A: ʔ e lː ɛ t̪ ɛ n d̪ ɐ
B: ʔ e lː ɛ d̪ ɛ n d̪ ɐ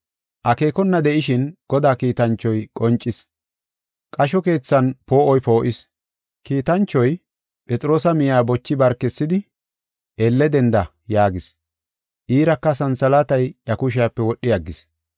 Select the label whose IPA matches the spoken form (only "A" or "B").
B